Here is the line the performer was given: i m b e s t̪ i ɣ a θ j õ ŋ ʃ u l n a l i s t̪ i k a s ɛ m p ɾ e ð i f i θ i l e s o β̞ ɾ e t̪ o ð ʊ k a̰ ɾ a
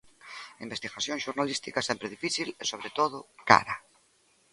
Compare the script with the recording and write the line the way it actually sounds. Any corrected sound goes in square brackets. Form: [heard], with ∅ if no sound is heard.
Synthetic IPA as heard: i m b e s t̪ i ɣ a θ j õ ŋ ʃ u [ɾ] n a l i s t̪ i k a s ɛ m p ɾ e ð i f i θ i l e s o β̞ ɾ e t̪ o ð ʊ k a̰ ɾ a